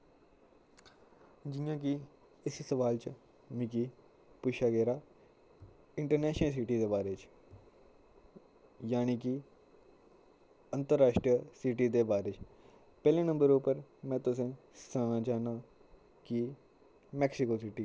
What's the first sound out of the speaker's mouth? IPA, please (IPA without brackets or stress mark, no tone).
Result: d͡ʒ